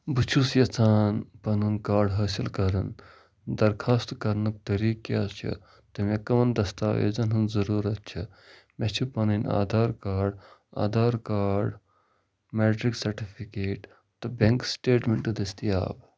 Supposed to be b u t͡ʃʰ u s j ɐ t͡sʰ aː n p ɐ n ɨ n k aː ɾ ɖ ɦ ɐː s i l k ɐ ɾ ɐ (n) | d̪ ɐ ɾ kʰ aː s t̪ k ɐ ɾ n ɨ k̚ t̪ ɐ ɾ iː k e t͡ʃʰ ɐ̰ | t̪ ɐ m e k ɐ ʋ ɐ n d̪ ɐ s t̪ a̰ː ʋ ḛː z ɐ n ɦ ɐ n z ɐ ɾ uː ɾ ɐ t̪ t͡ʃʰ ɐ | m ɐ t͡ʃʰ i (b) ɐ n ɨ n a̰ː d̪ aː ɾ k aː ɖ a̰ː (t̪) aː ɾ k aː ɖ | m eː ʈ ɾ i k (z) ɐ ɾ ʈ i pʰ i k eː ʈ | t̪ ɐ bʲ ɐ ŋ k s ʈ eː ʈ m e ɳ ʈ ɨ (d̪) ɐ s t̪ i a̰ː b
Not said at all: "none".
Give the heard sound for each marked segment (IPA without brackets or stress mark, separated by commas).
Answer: n, p, d̪, s, d̪